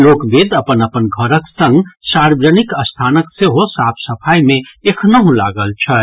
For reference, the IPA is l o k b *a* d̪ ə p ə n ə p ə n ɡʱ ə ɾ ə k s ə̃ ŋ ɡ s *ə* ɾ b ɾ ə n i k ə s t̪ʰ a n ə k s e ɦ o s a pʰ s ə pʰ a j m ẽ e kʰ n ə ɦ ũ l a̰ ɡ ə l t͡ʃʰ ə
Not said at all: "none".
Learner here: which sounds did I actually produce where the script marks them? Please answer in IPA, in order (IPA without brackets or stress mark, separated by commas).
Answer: e, a